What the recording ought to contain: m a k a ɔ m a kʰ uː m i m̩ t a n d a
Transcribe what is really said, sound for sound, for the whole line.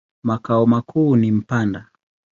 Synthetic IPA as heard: m a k a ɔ m a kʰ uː n i m̩ p a n d a